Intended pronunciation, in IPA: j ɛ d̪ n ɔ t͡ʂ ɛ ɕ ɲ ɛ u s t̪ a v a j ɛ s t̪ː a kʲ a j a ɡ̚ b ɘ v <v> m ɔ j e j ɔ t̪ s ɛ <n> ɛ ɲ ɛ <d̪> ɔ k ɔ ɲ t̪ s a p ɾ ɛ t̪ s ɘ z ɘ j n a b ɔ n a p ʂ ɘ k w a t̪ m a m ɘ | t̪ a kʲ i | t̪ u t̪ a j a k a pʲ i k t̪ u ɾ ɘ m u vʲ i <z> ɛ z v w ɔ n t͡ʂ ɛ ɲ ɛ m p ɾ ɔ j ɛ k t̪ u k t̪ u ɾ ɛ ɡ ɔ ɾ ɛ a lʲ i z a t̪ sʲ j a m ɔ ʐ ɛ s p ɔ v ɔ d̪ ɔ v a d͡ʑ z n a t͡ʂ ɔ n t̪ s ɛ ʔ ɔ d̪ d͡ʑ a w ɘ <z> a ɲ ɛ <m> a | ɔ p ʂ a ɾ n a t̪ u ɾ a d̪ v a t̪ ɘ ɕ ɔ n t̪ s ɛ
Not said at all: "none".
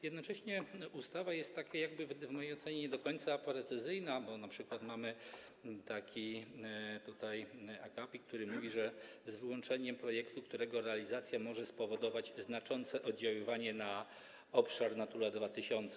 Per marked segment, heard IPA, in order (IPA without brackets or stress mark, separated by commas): v, ɲ, d̪, ʐ, v, n